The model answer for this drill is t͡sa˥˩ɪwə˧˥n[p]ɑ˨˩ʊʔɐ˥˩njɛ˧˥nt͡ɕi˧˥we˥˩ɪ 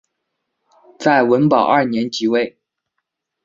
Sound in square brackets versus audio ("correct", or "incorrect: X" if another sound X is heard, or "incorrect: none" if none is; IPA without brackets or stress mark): correct